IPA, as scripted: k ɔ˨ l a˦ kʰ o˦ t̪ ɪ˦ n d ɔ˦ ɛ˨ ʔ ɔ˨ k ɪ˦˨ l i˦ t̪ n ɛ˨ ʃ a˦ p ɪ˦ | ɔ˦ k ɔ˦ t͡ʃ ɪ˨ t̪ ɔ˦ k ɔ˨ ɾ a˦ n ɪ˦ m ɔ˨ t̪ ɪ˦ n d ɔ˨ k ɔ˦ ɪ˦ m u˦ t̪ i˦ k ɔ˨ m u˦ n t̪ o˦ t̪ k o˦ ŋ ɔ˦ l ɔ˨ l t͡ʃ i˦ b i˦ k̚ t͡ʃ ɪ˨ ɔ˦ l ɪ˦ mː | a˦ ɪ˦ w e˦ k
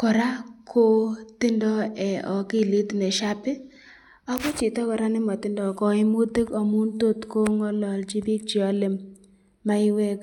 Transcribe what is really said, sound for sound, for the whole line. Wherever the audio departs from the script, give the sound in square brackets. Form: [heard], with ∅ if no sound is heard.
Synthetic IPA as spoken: k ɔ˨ [ɾ] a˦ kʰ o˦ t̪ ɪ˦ n d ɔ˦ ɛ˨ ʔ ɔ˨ k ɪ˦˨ l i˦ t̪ n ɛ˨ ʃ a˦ p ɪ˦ | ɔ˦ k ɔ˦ t͡ʃ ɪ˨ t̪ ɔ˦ k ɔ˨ ɾ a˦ n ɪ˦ m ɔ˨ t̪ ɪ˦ n d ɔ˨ k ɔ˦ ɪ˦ m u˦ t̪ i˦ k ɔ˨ m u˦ n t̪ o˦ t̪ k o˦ ŋ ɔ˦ l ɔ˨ l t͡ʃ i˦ b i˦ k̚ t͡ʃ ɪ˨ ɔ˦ l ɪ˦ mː | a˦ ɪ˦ w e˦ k